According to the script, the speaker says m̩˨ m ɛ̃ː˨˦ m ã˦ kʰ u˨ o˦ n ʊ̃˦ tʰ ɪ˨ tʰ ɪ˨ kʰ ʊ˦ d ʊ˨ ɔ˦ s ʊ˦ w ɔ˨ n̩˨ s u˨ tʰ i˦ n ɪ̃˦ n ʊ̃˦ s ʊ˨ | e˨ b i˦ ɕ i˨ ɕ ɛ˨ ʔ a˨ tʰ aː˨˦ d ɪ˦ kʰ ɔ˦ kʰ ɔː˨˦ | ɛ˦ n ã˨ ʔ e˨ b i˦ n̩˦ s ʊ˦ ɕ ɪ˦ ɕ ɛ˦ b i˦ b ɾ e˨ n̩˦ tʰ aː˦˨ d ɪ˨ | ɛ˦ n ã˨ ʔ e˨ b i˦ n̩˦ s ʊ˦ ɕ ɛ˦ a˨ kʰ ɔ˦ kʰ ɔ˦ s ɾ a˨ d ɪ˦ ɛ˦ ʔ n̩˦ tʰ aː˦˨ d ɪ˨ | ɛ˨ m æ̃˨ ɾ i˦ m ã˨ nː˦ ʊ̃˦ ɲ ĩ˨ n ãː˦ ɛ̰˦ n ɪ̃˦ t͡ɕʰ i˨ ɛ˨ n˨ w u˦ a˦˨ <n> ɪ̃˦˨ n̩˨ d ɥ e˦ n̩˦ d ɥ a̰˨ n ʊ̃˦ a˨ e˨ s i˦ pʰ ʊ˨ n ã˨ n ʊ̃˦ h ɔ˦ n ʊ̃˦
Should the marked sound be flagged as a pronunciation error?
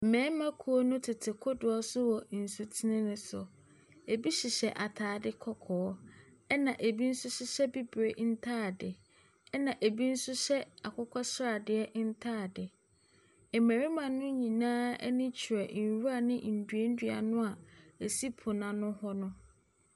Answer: no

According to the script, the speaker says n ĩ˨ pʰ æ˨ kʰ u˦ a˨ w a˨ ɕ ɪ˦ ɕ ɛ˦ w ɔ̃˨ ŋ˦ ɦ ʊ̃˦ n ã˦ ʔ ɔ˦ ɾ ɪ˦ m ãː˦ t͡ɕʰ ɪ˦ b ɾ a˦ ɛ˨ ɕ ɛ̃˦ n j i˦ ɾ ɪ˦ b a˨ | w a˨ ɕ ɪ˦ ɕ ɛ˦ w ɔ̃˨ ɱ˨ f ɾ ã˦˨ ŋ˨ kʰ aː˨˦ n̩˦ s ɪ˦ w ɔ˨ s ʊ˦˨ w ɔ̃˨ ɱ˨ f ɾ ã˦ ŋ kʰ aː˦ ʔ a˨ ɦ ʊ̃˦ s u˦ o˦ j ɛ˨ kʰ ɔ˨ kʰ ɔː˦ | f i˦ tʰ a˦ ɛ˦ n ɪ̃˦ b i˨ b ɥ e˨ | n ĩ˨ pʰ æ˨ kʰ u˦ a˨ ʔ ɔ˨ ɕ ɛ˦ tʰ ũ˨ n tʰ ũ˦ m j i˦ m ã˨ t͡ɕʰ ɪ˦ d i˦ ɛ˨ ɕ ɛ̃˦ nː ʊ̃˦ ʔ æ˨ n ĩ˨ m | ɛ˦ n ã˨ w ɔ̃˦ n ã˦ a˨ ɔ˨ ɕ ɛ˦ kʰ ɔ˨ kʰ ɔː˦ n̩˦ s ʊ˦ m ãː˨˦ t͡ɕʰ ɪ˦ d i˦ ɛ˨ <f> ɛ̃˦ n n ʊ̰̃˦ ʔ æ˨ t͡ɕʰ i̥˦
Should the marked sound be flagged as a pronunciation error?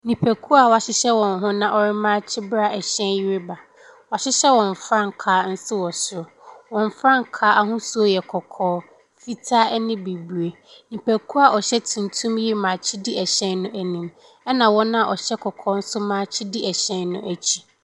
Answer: yes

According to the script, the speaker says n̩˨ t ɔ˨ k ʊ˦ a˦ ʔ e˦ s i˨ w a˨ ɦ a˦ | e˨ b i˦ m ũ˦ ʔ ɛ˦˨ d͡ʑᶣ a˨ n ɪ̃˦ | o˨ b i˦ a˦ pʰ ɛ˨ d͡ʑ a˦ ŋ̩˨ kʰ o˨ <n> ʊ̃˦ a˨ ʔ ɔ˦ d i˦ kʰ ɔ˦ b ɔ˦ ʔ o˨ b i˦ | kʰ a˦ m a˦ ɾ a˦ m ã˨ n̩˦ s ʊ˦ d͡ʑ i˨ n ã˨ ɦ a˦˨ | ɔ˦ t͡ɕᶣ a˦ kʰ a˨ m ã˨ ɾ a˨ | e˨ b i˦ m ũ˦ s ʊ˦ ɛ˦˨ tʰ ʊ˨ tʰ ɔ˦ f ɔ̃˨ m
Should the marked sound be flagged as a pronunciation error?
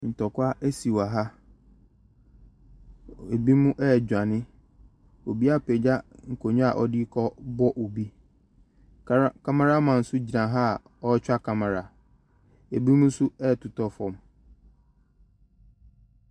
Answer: yes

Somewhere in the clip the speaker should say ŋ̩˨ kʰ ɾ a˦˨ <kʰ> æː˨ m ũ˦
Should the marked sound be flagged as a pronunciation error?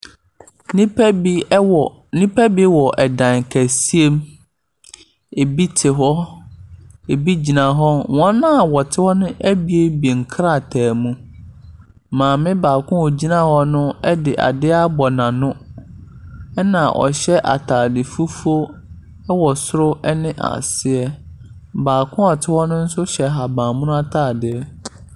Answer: yes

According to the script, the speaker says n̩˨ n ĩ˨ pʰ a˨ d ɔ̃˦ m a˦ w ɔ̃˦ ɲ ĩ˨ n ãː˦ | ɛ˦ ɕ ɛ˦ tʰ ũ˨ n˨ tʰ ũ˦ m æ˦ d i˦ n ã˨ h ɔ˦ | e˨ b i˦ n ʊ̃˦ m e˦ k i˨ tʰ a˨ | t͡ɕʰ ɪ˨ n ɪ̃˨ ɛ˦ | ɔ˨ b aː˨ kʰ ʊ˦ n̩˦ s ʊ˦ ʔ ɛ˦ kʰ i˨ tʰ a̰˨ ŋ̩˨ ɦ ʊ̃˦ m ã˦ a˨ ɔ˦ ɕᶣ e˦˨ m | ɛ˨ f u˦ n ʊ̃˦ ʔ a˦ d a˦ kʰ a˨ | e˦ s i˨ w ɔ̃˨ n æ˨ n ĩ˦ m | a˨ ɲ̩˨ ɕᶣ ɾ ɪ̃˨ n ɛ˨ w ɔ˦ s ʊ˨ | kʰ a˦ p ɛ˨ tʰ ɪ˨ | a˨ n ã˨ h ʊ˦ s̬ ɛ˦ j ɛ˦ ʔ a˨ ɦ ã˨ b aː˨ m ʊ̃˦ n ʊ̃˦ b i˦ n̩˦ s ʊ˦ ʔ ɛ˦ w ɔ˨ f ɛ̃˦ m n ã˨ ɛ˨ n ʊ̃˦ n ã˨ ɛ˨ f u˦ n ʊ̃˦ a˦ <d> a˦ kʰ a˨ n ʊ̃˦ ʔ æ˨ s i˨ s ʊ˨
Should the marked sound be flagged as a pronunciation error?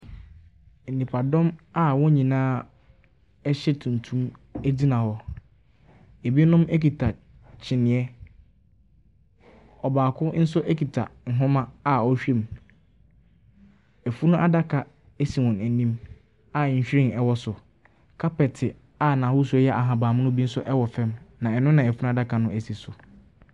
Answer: no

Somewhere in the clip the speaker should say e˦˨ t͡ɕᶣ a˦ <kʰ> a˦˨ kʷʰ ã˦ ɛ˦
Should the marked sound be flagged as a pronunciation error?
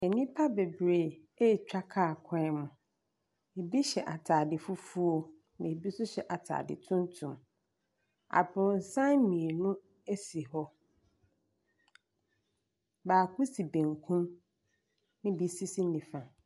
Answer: no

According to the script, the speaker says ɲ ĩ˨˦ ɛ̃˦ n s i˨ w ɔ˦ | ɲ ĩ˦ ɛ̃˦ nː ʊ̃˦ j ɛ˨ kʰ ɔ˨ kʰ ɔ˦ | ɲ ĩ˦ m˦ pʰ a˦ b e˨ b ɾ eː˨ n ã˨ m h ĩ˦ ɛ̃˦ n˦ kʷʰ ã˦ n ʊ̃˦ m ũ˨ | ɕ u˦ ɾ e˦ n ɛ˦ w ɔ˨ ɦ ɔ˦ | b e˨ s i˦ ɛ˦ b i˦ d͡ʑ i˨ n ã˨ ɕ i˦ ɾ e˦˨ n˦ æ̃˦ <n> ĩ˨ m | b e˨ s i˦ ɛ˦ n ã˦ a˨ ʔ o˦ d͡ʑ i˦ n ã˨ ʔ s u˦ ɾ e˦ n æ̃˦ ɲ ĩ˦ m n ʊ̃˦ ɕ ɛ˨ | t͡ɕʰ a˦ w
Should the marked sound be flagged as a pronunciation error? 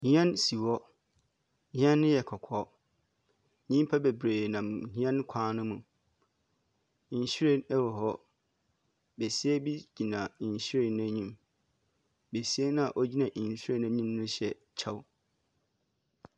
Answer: yes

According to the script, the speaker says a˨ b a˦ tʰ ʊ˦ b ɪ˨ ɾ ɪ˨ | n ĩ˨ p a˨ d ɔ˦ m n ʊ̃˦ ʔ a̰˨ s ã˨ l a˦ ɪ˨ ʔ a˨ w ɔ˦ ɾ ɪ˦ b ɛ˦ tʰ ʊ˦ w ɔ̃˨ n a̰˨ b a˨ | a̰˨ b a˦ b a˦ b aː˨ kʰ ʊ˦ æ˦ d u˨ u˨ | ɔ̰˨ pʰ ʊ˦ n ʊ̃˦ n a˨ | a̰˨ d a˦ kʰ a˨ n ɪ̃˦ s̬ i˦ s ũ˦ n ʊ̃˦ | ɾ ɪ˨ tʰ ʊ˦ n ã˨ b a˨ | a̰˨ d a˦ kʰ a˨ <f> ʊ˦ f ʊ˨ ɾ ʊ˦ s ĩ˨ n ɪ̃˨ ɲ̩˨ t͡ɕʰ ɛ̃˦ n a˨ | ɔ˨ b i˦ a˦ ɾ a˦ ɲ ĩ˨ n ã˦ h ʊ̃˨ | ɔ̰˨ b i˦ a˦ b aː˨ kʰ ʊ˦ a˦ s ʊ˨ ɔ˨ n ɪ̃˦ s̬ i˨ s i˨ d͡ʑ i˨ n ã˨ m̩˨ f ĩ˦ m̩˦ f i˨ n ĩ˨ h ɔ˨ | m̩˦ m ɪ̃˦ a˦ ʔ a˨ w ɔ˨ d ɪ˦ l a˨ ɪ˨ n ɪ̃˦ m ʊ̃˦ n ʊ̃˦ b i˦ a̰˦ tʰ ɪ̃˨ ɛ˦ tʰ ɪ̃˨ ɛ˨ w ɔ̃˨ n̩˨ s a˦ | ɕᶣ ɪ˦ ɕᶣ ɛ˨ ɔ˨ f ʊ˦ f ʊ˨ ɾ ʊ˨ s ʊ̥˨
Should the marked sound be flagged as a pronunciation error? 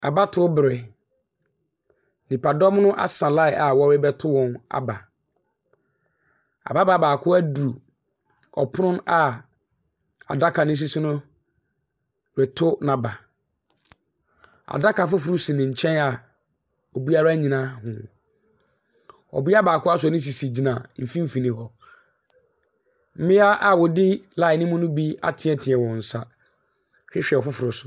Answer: no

